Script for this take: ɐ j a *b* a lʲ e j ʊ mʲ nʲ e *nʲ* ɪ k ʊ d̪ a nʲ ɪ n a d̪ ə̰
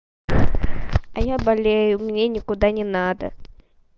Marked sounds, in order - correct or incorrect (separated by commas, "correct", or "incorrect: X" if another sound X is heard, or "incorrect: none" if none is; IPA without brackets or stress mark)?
correct, correct